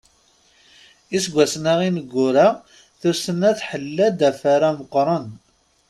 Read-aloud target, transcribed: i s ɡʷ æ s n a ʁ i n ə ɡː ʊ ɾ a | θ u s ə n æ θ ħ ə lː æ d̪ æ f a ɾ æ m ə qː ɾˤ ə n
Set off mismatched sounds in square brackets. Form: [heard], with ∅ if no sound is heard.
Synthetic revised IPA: i s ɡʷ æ s n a ʁ i n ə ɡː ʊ ɾ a | θ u s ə n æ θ ħ ə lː æ d̪ æ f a ɾ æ m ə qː ɾˤ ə n